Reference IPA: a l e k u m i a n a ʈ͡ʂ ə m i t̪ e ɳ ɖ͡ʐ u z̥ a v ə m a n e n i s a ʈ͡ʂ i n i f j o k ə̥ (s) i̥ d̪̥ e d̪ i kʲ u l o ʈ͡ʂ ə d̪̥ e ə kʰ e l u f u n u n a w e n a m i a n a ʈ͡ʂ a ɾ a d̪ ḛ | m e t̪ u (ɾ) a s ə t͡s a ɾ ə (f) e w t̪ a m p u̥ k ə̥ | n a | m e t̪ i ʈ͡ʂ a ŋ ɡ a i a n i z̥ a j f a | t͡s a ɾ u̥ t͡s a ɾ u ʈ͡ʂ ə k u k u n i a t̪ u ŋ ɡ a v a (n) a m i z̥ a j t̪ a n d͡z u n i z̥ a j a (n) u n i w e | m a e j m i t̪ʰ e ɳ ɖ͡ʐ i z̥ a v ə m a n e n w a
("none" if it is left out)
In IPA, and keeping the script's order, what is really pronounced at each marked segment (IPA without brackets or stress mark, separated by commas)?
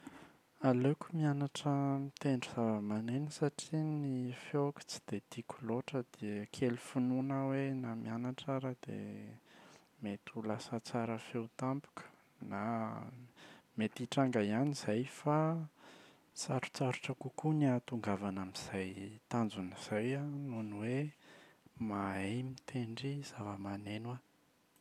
t͡s, l, f, n, n